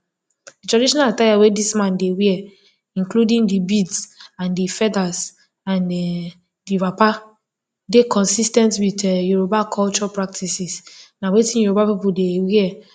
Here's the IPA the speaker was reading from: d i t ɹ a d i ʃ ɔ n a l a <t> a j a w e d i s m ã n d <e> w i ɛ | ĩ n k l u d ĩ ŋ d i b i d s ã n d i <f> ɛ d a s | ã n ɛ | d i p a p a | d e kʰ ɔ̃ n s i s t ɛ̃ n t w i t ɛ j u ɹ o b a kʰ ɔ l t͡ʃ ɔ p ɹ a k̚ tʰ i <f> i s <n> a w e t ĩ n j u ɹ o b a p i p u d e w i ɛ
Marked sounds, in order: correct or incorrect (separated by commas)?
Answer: correct, correct, correct, incorrect, correct